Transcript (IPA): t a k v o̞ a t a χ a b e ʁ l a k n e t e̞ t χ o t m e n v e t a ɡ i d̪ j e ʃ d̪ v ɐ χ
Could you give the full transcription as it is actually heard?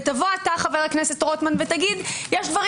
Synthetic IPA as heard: t a v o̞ a t a χ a v e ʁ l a k n e s e̞ t ʁ o t m a n v e t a ɡ i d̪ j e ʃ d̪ v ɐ ʁ